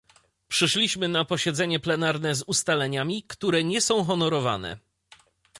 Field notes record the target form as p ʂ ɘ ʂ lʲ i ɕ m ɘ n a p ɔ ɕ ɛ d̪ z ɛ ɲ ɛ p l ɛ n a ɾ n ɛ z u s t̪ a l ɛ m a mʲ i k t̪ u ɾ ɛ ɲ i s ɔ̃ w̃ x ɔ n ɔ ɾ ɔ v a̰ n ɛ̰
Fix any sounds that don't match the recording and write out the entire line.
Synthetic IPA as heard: p ʂ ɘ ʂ lʲ i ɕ m ɘ n a p ɔ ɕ ɛ d̪ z ɛ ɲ ɛ p l ɛ n a ɾ n ɛ z u s t̪ a l ɛ ɲ a mʲ i k t̪ u ɾ ɛ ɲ ɛ s ɔ̃ w̃ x ɔ n ɔ ɾ ɔ v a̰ n ɛ̰